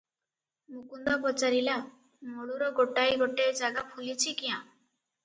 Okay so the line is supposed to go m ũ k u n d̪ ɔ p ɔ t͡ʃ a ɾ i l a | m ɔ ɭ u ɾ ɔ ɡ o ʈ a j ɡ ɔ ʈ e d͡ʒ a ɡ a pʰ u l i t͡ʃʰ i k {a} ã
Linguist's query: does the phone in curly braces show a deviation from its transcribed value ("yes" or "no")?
yes